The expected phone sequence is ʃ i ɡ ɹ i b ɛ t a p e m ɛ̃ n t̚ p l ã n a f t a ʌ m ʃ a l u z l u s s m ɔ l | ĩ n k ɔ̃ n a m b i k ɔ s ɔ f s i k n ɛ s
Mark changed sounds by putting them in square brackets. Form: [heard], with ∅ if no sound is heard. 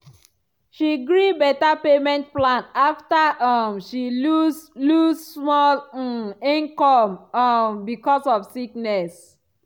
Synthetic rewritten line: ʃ i ɡ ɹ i b ɛ t a p e m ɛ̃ n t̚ p l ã n a f t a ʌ m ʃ [i] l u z l u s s m ɔ l | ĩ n k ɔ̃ [m] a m b i k ɔ s ɔ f s i k n ɛ s